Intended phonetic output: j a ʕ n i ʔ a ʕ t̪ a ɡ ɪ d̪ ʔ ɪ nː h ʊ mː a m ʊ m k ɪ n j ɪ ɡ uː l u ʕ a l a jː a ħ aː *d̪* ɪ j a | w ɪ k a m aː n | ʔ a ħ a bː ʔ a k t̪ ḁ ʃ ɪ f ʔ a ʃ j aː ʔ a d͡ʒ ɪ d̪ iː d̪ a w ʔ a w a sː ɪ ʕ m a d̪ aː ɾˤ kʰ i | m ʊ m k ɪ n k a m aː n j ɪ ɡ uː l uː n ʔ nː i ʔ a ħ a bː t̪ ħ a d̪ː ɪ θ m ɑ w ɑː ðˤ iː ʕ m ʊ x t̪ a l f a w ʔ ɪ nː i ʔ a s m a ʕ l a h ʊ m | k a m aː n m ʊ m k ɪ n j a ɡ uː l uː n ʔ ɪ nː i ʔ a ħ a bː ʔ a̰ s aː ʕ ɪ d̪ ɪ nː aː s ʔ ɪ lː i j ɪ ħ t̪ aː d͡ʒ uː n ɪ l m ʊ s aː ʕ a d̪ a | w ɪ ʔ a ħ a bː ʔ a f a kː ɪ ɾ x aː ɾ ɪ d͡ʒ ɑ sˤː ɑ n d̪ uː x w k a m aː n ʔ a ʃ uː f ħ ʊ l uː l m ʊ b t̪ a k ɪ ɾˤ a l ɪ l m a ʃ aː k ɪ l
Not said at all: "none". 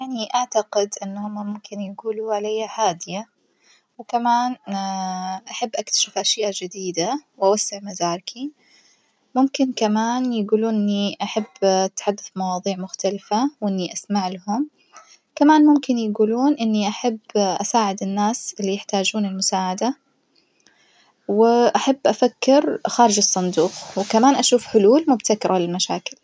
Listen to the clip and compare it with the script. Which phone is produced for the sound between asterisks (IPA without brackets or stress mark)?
d̪